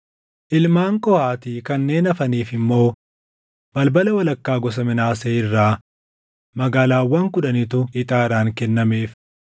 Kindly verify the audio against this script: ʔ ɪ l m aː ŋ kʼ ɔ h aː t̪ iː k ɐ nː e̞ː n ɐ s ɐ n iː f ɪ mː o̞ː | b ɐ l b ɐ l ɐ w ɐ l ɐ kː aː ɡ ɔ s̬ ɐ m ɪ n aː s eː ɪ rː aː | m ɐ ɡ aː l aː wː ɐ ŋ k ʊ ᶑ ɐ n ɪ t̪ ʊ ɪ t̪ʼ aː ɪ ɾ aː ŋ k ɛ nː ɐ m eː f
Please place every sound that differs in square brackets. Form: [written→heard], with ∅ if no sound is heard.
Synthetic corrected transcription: ʔ ɪ l m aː ŋ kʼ ɔ h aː t̪ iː k ɐ nː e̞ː n ɐ [s→f] ɐ n iː f ɪ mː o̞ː | b ɐ l b ɐ l ɐ w ɐ l ɐ kː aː ɡ ɔ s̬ ɐ m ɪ n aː s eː ɪ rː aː | m ɐ ɡ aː l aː wː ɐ ŋ k ʊ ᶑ ɐ n ɪ t̪ ʊ ɪ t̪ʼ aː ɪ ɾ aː ŋ k ɛ nː ɐ m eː f